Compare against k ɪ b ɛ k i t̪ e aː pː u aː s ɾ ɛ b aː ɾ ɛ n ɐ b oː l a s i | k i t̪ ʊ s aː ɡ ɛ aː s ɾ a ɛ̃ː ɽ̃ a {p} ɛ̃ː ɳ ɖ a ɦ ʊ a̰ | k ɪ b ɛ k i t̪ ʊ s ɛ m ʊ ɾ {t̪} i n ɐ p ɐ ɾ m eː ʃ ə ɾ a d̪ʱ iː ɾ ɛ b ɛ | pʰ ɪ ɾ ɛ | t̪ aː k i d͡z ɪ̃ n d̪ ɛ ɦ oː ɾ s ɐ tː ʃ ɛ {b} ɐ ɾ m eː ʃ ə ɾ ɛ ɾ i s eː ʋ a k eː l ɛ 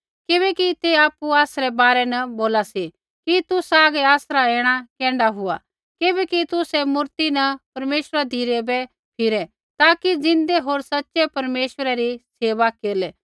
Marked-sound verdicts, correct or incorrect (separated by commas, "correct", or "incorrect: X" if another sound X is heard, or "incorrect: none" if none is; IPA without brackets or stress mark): incorrect: k, correct, incorrect: p